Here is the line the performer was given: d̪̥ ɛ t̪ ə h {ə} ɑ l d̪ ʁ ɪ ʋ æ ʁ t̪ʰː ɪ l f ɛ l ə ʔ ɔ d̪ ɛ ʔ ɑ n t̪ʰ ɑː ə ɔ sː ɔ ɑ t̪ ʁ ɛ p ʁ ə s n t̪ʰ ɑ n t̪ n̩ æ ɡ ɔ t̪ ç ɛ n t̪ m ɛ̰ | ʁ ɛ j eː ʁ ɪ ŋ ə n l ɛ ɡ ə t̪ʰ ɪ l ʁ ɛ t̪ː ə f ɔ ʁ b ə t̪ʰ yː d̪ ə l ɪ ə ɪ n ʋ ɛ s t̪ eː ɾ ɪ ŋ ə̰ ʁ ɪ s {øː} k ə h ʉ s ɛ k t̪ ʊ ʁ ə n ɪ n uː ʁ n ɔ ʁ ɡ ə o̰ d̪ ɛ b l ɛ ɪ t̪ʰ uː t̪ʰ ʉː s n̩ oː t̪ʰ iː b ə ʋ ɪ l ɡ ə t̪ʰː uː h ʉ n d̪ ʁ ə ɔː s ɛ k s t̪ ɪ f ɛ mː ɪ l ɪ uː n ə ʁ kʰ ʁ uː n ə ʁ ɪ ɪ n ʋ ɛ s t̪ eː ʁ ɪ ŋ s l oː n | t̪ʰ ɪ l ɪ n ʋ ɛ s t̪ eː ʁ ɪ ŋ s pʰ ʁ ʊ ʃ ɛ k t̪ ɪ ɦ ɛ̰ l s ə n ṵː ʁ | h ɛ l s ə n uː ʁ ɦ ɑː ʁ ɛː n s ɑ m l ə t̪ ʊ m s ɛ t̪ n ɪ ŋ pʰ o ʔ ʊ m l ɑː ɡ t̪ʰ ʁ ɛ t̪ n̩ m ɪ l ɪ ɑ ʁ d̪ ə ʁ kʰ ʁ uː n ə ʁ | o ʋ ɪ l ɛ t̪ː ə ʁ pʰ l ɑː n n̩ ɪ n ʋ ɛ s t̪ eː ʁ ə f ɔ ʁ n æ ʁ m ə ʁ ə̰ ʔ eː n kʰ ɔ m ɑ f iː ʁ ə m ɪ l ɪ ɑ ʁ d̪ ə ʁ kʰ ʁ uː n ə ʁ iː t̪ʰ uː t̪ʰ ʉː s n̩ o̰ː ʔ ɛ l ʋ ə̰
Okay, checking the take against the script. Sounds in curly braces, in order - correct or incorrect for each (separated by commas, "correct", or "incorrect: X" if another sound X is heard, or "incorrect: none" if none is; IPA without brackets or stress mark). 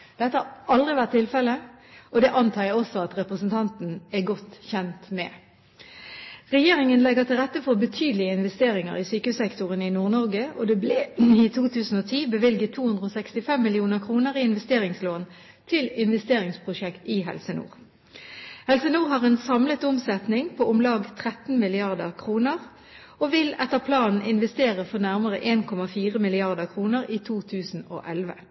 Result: incorrect: ɑ, incorrect: yː